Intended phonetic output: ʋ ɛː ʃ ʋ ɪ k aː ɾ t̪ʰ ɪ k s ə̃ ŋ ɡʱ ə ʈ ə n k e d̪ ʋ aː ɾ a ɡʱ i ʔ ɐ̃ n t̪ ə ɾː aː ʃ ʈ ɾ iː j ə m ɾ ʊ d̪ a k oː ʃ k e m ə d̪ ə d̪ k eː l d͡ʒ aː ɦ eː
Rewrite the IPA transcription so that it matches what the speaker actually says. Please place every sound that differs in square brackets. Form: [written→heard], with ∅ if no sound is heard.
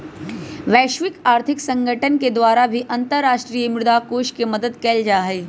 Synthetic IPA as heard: ʋ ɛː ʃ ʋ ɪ k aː ɾ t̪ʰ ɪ k s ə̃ ŋ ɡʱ ə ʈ ə n k e d̪ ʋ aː ɾ a [ɡʱ→bʱ] i ʔ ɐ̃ n t̪ ə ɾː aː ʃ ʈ ɾ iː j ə m ɾ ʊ d̪ a k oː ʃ k e m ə d̪ ə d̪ k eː l d͡ʒ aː ɦ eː